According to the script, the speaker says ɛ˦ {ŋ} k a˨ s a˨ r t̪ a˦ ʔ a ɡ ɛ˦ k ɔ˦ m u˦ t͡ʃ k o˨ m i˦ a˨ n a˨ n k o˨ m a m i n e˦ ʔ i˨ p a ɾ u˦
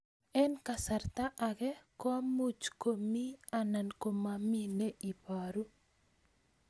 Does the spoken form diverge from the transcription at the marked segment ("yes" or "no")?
yes